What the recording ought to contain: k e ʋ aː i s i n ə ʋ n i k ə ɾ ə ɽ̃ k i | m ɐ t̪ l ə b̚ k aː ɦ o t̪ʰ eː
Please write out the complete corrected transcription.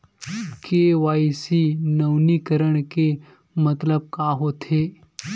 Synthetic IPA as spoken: k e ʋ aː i s i n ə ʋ n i k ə ɾ ə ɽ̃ k e | m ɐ t̪ l ə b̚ k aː ɦ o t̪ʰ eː